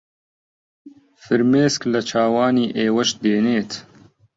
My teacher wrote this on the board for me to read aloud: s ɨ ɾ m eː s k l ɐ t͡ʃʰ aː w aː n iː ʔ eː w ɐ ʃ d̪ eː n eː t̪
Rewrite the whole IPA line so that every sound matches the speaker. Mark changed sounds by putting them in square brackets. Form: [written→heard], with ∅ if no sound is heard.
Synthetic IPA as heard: [s→f] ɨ ɾ m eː s k l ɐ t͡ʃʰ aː w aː n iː ʔ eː w ɐ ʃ d̪ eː n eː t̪